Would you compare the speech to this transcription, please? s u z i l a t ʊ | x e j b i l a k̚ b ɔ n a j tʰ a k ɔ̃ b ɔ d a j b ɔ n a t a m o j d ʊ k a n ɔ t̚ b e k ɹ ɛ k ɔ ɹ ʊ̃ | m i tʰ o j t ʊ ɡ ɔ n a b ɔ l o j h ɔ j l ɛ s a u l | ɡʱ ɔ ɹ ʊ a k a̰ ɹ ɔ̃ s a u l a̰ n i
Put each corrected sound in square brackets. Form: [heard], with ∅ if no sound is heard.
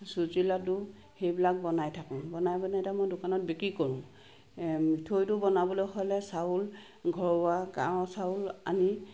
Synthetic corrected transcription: s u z i l a t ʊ | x e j b i l a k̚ b ɔ n a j tʰ a k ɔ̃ b ɔ [n] a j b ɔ n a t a m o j d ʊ k a n ɔ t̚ b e k ɹ [i] k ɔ ɹ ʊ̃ | m i tʰ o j t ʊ [b] ɔ n a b ɔ l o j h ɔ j l ɛ s a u l | ɡʱ ɔ ɹ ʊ a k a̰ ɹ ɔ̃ s a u l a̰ n i